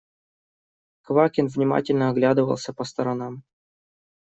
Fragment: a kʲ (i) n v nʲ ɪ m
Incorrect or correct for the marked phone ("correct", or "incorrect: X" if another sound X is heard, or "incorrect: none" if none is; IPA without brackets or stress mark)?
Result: incorrect: ɪ